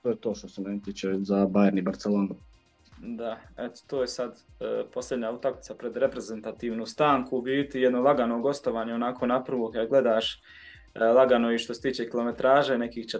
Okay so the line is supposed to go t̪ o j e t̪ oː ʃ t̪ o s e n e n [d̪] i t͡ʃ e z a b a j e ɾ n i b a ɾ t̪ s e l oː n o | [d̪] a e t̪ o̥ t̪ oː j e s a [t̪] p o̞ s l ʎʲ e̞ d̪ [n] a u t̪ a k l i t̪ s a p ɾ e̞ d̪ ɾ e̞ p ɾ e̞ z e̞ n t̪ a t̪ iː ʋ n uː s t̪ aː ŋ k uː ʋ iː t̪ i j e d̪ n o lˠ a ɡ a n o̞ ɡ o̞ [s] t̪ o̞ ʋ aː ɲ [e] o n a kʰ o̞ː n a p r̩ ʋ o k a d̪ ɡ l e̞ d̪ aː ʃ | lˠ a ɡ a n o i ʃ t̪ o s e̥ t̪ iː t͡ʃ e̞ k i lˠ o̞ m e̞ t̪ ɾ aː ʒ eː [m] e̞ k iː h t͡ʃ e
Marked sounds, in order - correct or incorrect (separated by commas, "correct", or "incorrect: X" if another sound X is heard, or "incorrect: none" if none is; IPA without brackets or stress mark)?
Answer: incorrect: t̪, correct, incorrect: d̪, incorrect: ɲ, correct, correct, incorrect: n